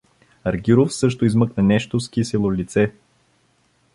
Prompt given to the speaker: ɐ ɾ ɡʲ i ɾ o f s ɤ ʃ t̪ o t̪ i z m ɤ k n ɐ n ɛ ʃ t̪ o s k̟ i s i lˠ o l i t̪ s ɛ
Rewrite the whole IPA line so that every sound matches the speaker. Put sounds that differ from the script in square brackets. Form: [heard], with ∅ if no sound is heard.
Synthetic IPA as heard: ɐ ɾ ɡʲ i ɾ o f s ɤ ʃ t̪ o [∅] i z m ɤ k n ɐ n ɛ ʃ t̪ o s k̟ i s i lˠ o l i t̪ s ɛ